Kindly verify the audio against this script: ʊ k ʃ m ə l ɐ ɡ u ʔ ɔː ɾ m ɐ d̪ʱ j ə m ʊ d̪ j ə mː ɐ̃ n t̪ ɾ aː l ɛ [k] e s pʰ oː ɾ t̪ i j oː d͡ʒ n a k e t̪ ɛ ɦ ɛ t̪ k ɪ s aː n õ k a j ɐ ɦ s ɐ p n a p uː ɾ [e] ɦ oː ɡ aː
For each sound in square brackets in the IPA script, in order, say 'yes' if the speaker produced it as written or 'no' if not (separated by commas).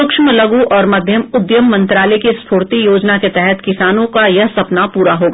yes, no